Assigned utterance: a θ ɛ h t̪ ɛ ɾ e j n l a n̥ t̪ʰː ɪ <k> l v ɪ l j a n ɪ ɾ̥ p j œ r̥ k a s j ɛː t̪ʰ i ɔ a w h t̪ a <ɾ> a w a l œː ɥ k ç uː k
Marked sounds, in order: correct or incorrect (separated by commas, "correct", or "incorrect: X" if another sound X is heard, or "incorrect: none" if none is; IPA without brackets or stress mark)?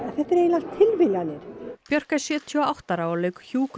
incorrect: none, correct